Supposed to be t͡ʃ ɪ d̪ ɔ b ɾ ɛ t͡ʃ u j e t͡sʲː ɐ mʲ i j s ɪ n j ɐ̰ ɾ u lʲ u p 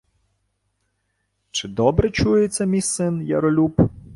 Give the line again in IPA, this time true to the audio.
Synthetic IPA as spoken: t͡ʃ ɪ d̪ ɔ b ɾ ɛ t͡ʃ u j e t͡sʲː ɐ mʲ i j s ɪ n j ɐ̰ ɾ ɔ lʲ u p